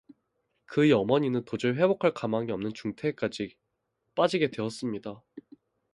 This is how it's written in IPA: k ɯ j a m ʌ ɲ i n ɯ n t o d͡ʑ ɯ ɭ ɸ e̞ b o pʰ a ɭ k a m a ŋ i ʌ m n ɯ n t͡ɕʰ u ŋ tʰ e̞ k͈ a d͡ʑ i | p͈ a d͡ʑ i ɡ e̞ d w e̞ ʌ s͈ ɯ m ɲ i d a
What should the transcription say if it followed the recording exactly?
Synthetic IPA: k ɯ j ʌ m ʌ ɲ i n ɯ n t o d͡ʑ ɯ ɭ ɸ e̞ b o kʰ a ɭ k a m a ŋ i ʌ m n ɯ n t͡ɕ u ŋ tʰ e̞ k͈ a d͡ʑ i | p͈ a d͡ʑ i ɡ e̞ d w e̞ ʌ s͈ ɯ m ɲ i d a